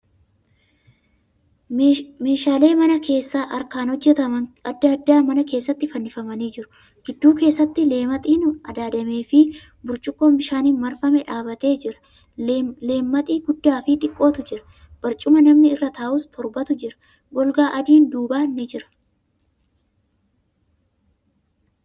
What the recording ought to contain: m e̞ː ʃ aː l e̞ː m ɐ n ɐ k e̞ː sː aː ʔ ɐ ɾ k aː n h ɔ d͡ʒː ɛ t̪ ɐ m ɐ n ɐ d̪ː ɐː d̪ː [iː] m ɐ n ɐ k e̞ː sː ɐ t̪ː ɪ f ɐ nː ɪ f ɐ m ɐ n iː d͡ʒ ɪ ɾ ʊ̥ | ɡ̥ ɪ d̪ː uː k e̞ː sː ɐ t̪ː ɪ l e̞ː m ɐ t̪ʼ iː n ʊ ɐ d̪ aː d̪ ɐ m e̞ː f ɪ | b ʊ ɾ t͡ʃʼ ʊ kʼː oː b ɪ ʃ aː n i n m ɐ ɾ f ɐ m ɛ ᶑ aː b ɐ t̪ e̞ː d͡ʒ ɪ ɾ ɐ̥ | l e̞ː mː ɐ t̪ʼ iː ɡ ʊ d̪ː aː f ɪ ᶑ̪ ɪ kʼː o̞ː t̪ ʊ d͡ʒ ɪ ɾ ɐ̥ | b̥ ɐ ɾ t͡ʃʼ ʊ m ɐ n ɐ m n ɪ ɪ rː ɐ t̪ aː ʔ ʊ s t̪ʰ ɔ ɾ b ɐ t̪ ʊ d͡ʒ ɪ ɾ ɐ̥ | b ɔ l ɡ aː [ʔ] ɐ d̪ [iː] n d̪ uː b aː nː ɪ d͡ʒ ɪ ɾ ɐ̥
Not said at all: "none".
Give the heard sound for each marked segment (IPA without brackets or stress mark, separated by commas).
aː, ʔ, iː